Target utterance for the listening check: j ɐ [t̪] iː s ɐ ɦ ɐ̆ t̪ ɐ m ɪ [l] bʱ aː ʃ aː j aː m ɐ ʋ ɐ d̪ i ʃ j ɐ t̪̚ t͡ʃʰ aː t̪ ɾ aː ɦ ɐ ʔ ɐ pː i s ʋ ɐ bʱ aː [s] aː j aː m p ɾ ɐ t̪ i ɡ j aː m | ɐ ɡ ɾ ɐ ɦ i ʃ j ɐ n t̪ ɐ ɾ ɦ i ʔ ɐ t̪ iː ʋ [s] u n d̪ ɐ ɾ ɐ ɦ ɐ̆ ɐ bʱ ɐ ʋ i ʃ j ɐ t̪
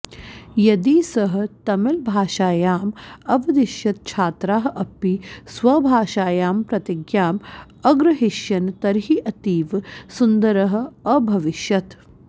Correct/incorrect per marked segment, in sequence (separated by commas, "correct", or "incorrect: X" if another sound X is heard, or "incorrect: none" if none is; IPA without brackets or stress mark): incorrect: d̪, correct, incorrect: ʃ, correct